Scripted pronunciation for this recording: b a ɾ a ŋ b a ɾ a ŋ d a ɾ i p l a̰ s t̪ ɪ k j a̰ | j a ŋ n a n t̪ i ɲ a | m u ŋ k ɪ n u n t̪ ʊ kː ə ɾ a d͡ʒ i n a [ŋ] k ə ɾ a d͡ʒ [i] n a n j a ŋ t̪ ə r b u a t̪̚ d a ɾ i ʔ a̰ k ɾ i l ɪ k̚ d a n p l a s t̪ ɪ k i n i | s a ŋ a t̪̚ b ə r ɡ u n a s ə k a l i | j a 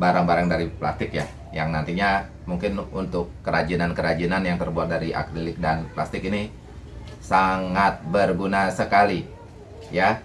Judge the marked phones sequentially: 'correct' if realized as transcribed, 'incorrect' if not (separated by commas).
incorrect, correct